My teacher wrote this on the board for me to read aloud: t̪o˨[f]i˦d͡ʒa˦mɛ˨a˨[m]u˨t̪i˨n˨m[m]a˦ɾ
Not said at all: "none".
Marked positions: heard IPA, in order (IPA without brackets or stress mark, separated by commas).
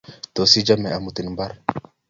s, m, b